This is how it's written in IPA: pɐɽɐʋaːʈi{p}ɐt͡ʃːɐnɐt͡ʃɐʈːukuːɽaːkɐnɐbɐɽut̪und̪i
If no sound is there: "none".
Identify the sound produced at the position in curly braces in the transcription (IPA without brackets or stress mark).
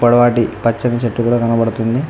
p